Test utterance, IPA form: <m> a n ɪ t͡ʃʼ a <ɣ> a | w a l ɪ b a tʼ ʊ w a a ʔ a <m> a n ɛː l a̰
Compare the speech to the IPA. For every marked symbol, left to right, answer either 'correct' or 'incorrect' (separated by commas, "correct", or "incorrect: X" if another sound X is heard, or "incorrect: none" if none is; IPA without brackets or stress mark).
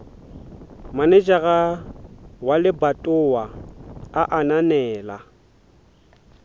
correct, correct, incorrect: n